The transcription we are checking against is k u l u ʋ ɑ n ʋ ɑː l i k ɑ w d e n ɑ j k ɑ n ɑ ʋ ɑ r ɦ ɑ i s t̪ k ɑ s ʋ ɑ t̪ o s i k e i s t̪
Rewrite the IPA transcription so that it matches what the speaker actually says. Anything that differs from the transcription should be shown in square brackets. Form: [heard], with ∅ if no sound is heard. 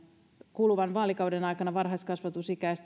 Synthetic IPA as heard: k u l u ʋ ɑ n ʋ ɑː l i k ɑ w d e n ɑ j k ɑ n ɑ ʋ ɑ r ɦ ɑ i s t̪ k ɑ s ʋ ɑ t̪ [u] s i k [æ] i s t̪